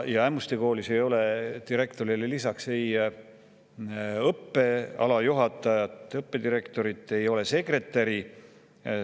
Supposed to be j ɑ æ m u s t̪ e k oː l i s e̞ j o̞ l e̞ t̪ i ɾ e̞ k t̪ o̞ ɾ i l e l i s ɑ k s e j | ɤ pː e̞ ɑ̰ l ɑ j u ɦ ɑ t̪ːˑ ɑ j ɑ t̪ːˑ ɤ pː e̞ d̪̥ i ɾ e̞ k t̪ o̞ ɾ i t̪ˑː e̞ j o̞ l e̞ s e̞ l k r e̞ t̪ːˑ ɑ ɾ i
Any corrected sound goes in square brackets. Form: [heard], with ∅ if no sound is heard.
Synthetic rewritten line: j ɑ æ m u s t̪ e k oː l i s e̞ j o̞ l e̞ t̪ i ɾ e̞ k t̪ o̞ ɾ i l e l i s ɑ k s e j | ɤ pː e̞ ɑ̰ l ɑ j u ɦ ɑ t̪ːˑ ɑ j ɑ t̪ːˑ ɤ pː e̞ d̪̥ i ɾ e̞ k t̪ o̞ ɾ i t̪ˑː e̞ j o̞ l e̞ s e̞ [∅] k r e̞ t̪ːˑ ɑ ɾ i